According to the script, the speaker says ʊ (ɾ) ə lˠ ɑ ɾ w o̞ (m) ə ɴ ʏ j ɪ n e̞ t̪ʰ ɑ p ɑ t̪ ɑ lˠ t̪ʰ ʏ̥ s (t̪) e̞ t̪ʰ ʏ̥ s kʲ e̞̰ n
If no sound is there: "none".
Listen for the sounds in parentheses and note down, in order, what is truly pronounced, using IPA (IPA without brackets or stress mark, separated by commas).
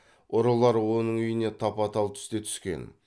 ɾ, n, t̪